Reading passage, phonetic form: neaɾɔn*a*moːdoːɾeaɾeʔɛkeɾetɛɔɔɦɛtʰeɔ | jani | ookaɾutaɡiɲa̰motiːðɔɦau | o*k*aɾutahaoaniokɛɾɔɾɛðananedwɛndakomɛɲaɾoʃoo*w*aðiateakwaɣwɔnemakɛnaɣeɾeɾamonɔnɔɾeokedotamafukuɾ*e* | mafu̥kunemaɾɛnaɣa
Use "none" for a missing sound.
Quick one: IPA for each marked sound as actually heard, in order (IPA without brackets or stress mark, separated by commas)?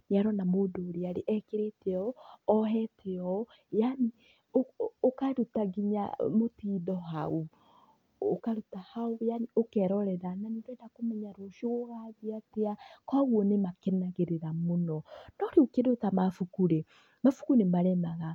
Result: a, k, ɣ, e